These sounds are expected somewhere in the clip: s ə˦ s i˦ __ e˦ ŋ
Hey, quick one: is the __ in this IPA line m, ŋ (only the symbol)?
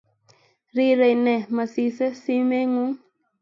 m